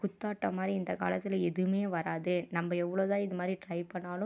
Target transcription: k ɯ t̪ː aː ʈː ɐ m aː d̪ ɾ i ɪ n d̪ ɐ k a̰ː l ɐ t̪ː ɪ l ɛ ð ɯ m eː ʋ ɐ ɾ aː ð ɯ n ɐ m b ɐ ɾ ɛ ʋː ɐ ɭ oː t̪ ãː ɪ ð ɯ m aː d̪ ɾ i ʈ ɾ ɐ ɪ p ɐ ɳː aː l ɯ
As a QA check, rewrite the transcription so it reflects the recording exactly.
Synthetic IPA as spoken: k ʊ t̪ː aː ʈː ɐ m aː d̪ ɾ i ɪ n d̪ ɐ k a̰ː l ɐ t̪ː ɪ l ɛ ð ɯ m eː ʋ ɐ ɾ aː ð ɯ n ɐ m b ɐ ɛ ʋː ɐ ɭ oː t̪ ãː ɪ ð ɯ m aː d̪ ɾ i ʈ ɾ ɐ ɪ p ɐ ɳː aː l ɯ